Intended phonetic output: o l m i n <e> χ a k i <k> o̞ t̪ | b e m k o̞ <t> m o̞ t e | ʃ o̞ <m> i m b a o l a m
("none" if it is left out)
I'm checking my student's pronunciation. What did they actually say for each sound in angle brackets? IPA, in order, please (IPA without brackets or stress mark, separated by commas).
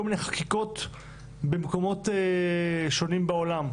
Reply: e, k, none, n